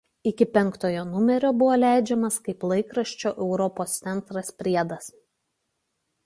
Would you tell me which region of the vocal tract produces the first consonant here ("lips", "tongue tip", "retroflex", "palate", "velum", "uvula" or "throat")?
velum